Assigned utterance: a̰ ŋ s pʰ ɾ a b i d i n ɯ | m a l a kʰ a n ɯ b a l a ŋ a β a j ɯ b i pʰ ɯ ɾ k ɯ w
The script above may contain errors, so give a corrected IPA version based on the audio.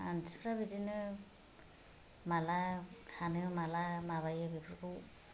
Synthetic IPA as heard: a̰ n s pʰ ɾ a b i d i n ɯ | m a l a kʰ a n ɯ m a l a m a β a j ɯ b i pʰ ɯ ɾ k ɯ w